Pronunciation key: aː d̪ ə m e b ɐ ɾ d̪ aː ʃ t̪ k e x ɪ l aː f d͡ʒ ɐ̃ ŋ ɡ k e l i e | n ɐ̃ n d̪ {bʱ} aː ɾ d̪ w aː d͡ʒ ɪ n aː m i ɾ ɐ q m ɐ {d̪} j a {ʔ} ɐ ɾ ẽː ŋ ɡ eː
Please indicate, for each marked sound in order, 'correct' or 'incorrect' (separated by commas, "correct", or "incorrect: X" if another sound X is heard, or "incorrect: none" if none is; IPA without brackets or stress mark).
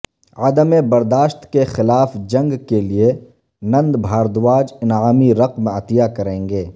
correct, incorrect: t̪, incorrect: k